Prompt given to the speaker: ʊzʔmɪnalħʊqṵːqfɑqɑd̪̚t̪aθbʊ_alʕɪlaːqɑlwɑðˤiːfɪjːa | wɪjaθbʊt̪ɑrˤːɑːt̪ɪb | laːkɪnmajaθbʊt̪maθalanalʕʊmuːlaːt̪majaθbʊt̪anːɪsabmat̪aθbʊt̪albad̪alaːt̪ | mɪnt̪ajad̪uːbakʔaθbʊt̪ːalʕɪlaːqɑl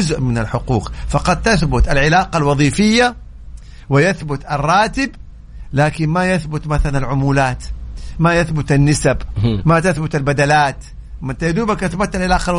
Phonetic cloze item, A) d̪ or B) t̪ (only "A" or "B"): B